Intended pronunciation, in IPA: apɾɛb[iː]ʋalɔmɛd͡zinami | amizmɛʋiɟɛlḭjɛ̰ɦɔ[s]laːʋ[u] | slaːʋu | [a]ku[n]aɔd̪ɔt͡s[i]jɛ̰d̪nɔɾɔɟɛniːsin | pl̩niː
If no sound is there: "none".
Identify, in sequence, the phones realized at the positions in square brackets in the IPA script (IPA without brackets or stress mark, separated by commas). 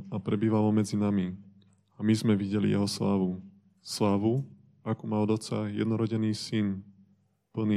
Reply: iː, s, u, a, m, a